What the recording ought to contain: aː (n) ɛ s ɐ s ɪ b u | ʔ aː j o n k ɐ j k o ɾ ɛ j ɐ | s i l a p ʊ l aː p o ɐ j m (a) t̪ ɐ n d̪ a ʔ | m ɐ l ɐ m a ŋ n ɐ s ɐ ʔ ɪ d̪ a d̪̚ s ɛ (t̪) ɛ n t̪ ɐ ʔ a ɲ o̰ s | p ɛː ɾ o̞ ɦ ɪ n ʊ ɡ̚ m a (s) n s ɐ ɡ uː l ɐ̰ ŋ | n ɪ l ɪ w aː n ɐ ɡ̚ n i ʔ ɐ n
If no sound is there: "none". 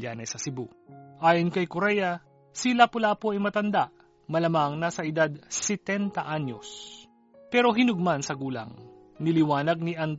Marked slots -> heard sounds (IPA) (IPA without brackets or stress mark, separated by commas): n, ɐ, t̪, none